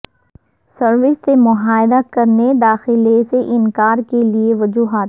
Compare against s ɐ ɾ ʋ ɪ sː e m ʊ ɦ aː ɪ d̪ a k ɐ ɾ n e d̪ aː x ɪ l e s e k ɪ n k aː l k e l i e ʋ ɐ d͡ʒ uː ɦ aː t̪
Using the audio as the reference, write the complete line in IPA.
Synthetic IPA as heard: s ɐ ɾ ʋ ɪ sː e m ʊ ɦ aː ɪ d̪ a k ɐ ɾ n e d̪ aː x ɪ l e s e ʔ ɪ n k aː ɾ k e l i e ʋ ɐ d͡ʒ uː ɦ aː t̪

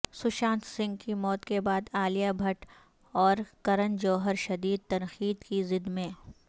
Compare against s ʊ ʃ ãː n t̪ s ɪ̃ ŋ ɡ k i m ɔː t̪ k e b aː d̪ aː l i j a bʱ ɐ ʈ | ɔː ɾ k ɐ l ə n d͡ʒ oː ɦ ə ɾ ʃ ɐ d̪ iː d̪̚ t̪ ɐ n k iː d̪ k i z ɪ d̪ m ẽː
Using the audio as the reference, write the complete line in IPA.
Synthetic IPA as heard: s ʊ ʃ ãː n t̪ s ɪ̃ ŋ ɡ k i m ɔː t̪ k e b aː d̪ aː l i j a bʱ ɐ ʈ | ɔː ɾ k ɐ ɾ ə n d͡ʒ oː ɦ ə ɾ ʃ ɐ d̪ iː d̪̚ t̪ ɐ n x iː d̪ k i z ɪ d̪ m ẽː

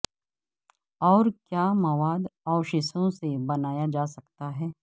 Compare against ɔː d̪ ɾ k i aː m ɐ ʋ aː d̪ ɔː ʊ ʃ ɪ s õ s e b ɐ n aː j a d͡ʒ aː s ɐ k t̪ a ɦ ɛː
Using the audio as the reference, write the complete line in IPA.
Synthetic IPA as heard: ɔː ɾ k j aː m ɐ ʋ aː d̪ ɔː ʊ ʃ ɪ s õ s e b ɐ n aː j a d͡ʒ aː s ɐ k t̪ a ɦ ɛː

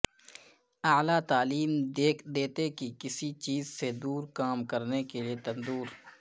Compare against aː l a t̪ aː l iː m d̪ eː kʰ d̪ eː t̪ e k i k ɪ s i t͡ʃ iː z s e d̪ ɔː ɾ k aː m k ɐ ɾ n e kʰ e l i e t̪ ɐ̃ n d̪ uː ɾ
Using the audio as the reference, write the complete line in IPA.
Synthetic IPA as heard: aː l a t̪ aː l iː m d̪ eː kʰ d̪ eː t̪ e k i k ɪ s i t͡ʃ iː z s e d̪ uː ɾ k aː m k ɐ ɾ n e k e l i e t̪ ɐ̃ n d̪ uː ɾ

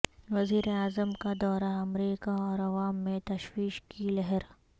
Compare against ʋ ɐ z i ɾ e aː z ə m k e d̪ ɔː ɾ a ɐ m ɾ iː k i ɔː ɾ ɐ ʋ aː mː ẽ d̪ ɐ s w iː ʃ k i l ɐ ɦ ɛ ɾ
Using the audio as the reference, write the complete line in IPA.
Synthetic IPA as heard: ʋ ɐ z iː ɾ e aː z ə m k a d̪ ɔː ɾ a ɐ m ɾ iː k a ɔː ɾ ɐ ʋ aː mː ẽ t̪ ɐ ʃ w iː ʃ k i l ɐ ɦ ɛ ɾ

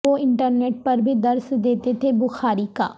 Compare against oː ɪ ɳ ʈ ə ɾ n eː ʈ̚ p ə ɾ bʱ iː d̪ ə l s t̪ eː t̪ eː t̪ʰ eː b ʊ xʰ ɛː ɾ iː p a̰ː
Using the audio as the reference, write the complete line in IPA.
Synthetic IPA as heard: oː ɪ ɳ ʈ ə ɾ n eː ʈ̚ p ə ɾ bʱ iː d̪ ə ɾ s d̪ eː t̪ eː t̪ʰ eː b ʊ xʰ aː ɾ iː k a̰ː

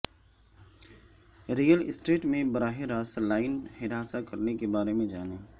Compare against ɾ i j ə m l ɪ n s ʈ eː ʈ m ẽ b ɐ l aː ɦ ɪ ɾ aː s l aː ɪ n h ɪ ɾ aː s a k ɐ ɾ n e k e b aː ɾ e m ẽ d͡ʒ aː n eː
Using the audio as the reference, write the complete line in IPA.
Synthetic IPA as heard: ɾ i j ə l ɪ s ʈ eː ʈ m ẽ b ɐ ɾ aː ɦ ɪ ɾ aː s l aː ɪ n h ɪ ɾ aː s a k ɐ ɾ n e k e b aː ɾ e m ẽ d͡ʒ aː n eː

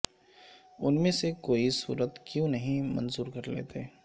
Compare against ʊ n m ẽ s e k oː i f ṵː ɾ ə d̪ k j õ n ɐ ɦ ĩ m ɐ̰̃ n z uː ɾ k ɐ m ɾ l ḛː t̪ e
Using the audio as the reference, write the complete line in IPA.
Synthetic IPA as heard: ʊ n m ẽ s e k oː i s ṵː ɾ ə t̪ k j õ n ɐ ɦ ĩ m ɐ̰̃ n z uː ɾ k ɐ ɾ l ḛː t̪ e

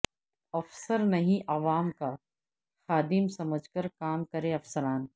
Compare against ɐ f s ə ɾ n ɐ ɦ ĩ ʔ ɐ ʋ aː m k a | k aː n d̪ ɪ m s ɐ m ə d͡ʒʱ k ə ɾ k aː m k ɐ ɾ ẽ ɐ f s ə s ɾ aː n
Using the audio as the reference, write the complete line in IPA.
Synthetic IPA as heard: ɐ f s ə ɾ n ɐ ɦ ĩ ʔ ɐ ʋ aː m k a | x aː d̪ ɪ m s ɐ m ə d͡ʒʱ k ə ɾ k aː m k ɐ ɾ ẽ ɐ f s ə ɾ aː n

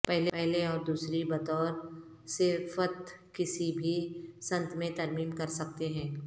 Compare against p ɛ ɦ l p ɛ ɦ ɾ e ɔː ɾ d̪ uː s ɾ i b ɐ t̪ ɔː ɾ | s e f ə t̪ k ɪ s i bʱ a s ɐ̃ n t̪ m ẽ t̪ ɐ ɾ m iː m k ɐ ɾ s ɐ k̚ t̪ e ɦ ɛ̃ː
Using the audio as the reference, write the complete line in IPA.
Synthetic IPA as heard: p ɛ ɦ l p ɛ ɦ l e ɔː ɾ d̪ uː s ɾ i b ɐ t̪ ɔː ɾ | s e f ə t̪ k ɪ s i bʱ i s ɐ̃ n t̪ m ẽ t̪ ɐ ɾ m iː m k ɐ ɾ s ɐ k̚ t̪ e ɦ ɛ̃ː

